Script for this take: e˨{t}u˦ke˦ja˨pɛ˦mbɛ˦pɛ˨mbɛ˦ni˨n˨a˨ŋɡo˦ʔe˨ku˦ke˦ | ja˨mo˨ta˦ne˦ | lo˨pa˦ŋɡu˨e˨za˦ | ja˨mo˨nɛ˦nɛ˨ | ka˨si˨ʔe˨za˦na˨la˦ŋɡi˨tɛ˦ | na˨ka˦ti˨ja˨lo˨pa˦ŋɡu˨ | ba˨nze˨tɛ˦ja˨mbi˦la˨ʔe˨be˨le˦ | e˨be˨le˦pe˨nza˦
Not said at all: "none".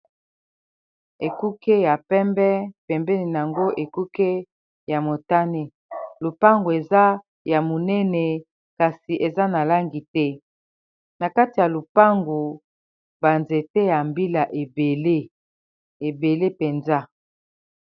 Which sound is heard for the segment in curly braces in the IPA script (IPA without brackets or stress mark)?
k